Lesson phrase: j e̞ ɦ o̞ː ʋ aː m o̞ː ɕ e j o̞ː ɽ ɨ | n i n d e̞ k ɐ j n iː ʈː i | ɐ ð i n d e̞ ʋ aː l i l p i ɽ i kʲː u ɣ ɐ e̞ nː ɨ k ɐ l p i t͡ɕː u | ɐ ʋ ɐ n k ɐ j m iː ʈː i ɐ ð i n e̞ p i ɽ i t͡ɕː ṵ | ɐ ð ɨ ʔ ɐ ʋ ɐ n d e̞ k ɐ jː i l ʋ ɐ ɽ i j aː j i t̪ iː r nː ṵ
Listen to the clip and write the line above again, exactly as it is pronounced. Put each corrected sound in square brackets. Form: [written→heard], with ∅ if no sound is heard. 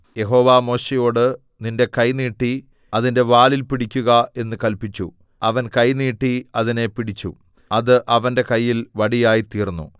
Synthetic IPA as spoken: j e̞ ɦ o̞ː ʋ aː m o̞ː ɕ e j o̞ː ɽ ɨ | n i n d e̞ k ɐ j n iː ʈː i | ɐ ð i n d e̞ ʋ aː l i l p i ɽ i kʲː u ɣ ɐ e̞ nː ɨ k ɐ l p i t͡ɕː u | ɐ ʋ ɐ n k ɐ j [m→n] iː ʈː i ɐ ð i n e̞ p i ɽ i t͡ɕː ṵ | ɐ ð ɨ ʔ ɐ ʋ ɐ n d e̞ k ɐ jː i l ʋ ɐ ɽ i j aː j i t̪ iː r nː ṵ